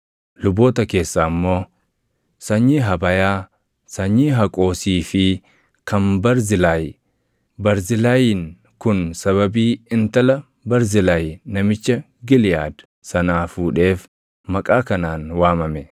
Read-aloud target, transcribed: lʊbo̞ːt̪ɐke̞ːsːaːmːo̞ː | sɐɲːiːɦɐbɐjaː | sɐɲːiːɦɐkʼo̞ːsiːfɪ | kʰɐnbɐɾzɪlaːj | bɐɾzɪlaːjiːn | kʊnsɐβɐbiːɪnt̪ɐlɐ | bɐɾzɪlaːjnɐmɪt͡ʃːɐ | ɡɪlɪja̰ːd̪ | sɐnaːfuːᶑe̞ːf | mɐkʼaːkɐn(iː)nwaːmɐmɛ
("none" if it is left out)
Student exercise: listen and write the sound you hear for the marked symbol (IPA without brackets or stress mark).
aː